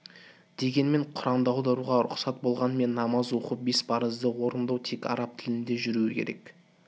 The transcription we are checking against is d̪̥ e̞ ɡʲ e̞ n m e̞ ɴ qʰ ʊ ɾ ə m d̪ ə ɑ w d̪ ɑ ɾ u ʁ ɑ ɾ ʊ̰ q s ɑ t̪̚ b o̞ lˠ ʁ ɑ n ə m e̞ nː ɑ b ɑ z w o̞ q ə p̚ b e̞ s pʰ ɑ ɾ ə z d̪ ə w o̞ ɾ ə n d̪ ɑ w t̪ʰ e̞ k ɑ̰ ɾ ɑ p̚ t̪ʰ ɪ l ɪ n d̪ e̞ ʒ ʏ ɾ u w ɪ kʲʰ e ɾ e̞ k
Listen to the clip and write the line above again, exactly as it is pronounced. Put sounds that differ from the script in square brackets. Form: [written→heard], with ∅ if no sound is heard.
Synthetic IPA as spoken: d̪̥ e̞ ɡʲ e̞ n m e̞ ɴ qʰ ʊ ɾ [ə→ɑ] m d̪ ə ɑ w d̪ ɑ ɾ u ʁ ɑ ɾ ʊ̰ q s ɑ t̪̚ b o̞ lˠ ʁ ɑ n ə m e̞ nː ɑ [b→m] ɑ z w o̞ q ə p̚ b e̞ s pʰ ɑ ɾ ə z d̪ ə w o̞ ɾ ə n d̪ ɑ w t̪ʰ e̞ k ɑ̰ ɾ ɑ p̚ t̪ʰ ɪ l ɪ n d̪ e̞ ʒ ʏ ɾ u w ɪ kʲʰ e ɾ e̞ k